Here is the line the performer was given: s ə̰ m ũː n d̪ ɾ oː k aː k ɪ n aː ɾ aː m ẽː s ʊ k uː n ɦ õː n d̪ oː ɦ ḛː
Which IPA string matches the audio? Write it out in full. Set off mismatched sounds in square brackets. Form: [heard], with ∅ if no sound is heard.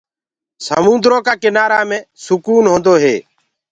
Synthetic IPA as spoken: s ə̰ m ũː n d̪ ɾ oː k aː k ɪ n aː ɾ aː m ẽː s ʊ k uː n ɦ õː n d̪ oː ɦ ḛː